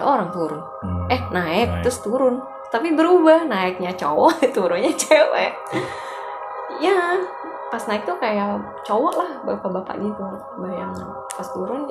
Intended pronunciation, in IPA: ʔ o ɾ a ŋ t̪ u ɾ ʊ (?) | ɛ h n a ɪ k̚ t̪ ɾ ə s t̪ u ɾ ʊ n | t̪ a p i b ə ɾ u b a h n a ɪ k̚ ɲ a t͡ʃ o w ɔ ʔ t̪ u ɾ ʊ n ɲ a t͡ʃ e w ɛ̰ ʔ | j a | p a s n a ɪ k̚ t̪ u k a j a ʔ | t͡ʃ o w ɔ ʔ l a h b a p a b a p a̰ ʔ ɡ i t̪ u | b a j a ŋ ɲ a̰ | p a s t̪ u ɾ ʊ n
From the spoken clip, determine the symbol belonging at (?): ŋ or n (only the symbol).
n